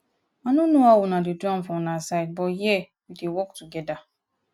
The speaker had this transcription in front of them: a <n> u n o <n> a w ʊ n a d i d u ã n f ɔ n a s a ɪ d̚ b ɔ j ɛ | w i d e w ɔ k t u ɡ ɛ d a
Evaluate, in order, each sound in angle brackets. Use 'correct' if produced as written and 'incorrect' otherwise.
correct, incorrect

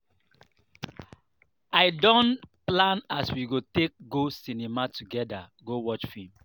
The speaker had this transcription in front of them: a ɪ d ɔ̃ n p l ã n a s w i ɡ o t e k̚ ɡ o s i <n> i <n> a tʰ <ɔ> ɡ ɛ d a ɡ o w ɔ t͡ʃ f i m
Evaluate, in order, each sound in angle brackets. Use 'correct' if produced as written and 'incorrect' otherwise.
correct, incorrect, incorrect

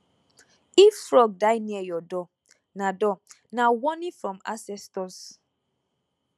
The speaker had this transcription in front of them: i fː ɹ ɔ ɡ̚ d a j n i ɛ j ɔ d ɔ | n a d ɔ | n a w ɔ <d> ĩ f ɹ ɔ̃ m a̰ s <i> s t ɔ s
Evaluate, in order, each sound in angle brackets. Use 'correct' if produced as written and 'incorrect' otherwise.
incorrect, incorrect

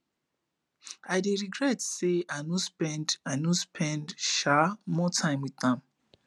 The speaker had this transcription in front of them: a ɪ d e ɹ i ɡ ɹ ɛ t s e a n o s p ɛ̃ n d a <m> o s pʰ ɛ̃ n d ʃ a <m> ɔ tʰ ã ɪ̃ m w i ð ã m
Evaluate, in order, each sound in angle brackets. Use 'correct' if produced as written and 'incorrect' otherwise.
incorrect, correct

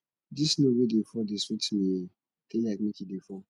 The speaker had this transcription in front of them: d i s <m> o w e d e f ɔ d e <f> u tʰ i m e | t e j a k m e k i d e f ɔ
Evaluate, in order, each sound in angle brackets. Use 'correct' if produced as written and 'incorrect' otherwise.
incorrect, incorrect

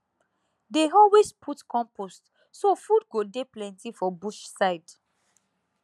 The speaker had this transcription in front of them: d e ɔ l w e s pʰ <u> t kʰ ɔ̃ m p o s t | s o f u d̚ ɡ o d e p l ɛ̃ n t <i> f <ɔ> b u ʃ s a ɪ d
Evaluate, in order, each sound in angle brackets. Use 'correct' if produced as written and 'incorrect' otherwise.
correct, correct, correct

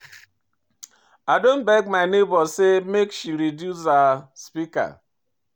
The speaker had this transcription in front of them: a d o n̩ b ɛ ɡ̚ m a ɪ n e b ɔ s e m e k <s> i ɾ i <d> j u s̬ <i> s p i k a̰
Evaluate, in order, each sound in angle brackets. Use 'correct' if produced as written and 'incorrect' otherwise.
incorrect, correct, incorrect

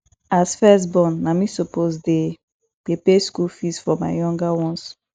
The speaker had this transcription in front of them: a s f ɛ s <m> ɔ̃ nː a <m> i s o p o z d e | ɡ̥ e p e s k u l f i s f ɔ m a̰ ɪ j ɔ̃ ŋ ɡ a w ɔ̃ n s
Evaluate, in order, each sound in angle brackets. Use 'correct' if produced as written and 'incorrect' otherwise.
incorrect, correct

